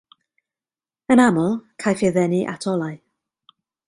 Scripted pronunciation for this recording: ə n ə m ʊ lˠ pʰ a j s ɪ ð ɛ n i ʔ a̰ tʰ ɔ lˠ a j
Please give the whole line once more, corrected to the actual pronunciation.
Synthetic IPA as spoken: ə n a m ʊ lˠ kʰ a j f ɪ ð ɛ n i ʔ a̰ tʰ ɔ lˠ a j